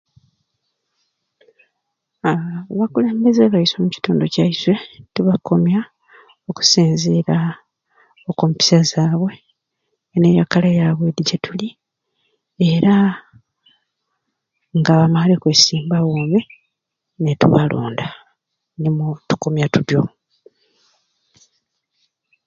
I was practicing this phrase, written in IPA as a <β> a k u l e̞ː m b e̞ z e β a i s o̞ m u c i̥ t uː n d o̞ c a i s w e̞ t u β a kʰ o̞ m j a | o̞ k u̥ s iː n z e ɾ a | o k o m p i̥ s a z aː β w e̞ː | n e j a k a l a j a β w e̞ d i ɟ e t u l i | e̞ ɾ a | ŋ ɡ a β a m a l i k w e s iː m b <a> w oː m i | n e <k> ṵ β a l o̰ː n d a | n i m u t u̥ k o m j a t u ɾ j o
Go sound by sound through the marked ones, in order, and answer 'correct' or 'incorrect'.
correct, correct, incorrect: t

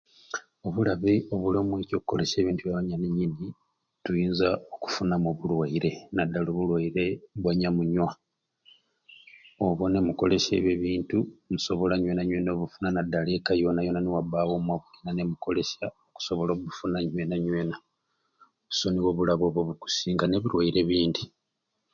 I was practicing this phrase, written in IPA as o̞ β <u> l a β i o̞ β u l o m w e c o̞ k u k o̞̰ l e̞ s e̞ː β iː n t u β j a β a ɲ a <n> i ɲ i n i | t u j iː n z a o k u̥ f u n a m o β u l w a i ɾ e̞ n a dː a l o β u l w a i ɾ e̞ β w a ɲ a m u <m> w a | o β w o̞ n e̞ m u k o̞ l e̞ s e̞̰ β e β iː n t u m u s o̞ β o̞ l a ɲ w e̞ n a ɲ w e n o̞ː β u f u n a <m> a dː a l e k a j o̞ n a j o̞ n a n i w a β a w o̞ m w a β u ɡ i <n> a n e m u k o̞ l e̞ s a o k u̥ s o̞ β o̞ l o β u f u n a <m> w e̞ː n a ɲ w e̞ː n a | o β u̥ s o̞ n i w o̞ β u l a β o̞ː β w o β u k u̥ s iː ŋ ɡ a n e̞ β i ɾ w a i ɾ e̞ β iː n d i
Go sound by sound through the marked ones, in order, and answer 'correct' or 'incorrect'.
correct, correct, incorrect: ɲ, incorrect: n, correct, incorrect: ɲ

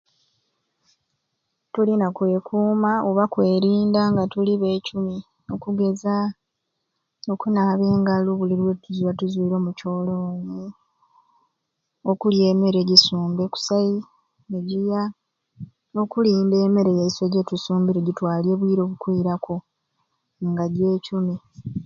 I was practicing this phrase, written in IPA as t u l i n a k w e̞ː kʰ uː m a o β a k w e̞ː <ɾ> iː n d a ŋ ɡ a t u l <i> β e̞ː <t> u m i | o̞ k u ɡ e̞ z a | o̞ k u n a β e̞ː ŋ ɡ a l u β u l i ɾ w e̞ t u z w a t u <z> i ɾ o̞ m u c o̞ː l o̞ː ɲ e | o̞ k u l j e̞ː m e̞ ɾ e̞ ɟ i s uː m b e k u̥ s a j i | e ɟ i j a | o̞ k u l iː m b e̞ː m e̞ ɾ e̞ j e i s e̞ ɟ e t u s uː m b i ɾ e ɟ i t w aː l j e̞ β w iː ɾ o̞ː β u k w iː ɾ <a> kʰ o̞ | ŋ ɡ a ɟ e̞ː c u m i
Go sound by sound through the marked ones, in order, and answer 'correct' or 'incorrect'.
correct, correct, incorrect: c, correct, correct

